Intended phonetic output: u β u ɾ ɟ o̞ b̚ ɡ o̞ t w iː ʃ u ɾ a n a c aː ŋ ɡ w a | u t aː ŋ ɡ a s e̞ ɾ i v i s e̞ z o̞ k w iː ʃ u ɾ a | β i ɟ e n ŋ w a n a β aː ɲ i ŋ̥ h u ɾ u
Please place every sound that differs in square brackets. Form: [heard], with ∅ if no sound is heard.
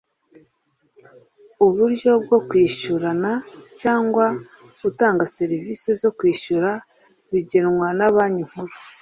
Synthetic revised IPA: u β u ɾ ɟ o̞ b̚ ɡ o̞ [k] w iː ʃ u ɾ a n a c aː ŋ ɡ w a | u t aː ŋ ɡ a s e̞ ɾ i v i s e̞ z o̞ k w iː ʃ u ɾ a | β i ɟ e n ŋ w a n a β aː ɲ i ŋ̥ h u ɾ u